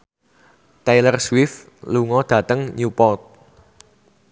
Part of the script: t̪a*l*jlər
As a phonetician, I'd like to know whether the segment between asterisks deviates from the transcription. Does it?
yes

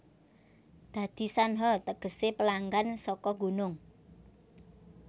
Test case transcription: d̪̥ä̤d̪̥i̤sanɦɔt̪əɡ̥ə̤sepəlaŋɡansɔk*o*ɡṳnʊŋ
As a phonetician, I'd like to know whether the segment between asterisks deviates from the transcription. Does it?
yes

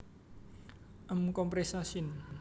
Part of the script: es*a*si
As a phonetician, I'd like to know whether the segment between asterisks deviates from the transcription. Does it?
no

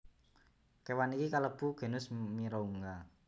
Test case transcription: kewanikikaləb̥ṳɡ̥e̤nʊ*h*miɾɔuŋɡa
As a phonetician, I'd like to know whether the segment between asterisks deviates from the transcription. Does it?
yes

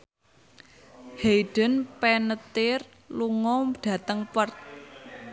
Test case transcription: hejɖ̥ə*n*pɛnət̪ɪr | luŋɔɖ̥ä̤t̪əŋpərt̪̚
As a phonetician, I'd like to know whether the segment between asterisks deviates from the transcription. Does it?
no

